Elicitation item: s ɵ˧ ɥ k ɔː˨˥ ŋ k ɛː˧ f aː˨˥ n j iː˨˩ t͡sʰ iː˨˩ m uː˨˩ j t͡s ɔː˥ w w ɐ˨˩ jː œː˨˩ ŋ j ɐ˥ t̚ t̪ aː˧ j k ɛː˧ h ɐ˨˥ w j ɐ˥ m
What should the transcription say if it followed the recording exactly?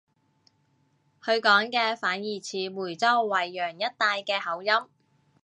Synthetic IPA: h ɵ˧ ɥ k ɔː˨˥ ŋ k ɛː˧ f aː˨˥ n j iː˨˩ t͡sʰ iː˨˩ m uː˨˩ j t͡s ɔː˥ w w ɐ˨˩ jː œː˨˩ ŋ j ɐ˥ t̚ t̪ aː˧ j k ɛː˧ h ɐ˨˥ w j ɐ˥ m